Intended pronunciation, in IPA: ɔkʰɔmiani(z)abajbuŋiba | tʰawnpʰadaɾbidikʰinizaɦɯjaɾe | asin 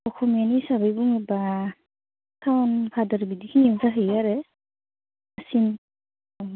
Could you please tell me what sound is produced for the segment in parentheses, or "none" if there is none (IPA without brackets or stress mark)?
s